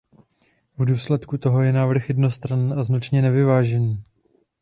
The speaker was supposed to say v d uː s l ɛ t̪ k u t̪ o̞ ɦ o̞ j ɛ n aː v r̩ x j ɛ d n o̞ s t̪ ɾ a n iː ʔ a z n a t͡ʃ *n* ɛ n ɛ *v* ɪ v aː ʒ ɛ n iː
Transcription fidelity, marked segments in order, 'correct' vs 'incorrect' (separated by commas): incorrect, correct